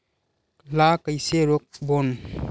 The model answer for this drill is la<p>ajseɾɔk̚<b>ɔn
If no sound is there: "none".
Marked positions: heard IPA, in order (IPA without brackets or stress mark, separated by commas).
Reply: k, b